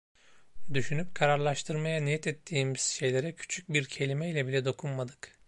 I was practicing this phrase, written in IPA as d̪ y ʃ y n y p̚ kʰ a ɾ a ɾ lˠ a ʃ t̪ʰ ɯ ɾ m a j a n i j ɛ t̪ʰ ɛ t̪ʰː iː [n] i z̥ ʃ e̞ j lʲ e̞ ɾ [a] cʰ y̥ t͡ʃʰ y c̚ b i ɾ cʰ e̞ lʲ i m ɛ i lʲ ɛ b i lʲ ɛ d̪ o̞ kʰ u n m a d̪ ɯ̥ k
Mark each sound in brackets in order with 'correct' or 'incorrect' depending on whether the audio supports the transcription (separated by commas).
incorrect, incorrect